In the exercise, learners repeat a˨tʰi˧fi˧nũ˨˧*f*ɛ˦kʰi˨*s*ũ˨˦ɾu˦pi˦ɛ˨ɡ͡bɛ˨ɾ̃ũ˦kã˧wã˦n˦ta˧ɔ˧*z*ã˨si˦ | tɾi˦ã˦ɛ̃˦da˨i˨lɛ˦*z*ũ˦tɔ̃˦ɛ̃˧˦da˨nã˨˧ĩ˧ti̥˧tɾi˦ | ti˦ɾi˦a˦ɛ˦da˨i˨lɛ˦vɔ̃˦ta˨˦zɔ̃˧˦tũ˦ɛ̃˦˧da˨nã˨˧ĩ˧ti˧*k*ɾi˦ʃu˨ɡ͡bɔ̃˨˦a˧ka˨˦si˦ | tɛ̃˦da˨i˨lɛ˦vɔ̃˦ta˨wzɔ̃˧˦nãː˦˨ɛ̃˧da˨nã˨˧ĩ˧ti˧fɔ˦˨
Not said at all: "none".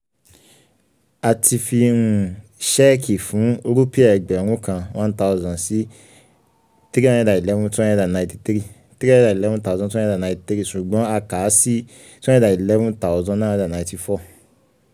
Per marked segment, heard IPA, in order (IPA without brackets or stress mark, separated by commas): ʃ, f, z, v, t